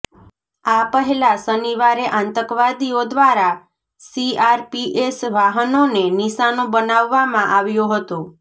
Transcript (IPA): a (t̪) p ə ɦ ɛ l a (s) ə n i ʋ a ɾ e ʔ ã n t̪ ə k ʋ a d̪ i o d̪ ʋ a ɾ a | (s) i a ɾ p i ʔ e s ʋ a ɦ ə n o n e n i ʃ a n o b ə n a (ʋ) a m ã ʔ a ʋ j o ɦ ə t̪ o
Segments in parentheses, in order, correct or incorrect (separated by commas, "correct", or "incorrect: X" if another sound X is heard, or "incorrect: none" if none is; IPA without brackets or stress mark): incorrect: none, correct, correct, incorrect: ʋː